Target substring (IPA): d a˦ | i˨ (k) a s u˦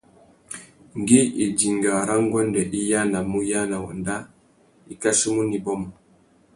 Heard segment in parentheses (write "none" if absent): k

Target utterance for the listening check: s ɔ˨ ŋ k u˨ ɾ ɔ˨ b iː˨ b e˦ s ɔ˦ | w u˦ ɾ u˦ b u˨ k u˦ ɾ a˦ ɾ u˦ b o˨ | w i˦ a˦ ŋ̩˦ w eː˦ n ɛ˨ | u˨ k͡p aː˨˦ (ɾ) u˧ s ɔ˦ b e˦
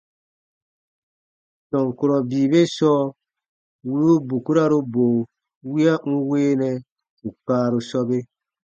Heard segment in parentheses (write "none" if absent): ɾ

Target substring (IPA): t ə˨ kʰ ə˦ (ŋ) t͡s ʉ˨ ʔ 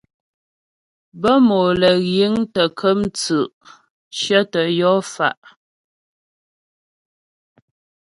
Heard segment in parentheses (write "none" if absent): m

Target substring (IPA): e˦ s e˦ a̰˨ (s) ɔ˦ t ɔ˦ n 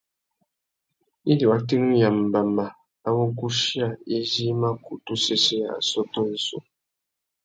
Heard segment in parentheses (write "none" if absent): s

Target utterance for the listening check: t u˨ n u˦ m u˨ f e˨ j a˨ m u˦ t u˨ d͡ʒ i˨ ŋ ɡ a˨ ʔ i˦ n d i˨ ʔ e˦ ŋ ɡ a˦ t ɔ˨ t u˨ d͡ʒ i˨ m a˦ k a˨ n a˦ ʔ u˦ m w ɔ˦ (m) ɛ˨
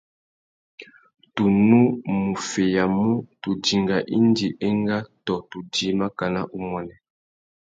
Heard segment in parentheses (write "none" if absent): n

